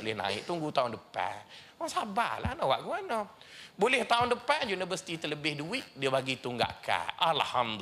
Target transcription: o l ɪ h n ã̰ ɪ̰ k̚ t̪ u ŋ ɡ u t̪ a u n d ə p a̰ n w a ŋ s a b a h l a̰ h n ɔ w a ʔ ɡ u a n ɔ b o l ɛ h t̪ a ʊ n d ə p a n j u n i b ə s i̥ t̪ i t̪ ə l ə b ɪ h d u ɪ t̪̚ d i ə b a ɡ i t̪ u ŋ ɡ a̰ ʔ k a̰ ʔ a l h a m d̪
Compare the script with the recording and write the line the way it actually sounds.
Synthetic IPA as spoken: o l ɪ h n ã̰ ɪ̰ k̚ t̪ u ŋ ɡ u t̪ a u n d ə p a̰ n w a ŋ s a b a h l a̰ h n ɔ w a ʔ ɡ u a n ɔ b o l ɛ h t̪ a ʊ n d ə p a n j u n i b ə s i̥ t̪ i t̪ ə l ə b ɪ h d u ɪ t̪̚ d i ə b a ɡ i t̪ u ŋ ɡ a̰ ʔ k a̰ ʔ a l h a m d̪